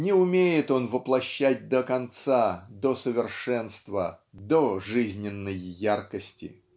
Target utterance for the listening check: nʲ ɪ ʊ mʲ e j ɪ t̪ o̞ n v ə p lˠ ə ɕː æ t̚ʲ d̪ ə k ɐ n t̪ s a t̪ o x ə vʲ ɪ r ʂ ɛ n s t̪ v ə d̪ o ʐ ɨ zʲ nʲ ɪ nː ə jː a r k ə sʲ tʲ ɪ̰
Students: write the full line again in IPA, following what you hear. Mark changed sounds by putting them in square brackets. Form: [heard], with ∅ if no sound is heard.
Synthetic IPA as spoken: nʲ ɪ ʊ mʲ e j ɪ t̪ o̞ n v ə p lˠ [ɐ] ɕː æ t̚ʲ d̪ ə k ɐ n t̪ s a [d̪] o [s] ə vʲ ɪ r ʂ ɛ n s t̪ v ə d̪ o ʐ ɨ zʲ nʲ ɪ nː ə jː a r k ə sʲ tʲ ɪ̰